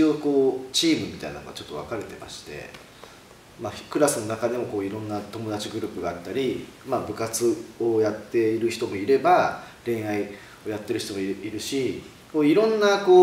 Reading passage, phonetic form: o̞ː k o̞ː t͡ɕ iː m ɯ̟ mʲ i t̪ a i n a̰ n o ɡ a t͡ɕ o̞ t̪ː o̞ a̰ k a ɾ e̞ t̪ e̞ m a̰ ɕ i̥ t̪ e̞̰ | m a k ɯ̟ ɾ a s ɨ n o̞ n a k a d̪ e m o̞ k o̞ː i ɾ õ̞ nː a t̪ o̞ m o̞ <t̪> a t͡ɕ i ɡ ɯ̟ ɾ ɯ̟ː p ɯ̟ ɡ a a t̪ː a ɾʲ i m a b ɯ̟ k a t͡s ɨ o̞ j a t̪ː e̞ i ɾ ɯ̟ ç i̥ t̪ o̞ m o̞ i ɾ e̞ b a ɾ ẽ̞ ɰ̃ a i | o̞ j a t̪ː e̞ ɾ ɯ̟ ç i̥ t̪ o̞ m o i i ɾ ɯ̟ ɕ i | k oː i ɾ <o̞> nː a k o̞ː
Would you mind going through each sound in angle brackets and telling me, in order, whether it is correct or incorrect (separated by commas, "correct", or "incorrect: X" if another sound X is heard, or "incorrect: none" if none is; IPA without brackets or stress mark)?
incorrect: d̪, incorrect: õ̞